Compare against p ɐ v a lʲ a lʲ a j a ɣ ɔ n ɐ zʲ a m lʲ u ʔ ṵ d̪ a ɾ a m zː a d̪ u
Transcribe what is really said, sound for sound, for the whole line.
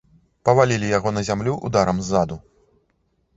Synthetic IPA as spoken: p ɐ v a lʲ i lʲ i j a ɣ ɔ n ɐ zʲ a m lʲ u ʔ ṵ d̪ a ɾ ɐ m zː a d̪ u